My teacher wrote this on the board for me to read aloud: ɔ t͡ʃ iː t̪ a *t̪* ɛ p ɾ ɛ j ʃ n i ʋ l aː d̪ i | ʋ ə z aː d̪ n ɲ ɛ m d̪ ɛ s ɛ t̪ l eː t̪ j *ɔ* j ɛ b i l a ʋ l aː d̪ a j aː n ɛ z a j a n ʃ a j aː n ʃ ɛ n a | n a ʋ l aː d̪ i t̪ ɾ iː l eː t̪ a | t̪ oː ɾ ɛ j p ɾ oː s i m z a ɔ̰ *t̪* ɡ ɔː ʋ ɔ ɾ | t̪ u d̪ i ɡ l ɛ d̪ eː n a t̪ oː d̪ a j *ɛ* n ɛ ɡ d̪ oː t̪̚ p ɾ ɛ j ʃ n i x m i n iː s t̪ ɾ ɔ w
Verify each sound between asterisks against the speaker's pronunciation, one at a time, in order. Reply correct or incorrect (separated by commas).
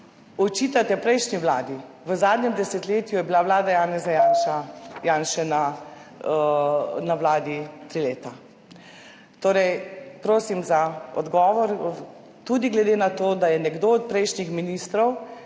correct, incorrect, incorrect, correct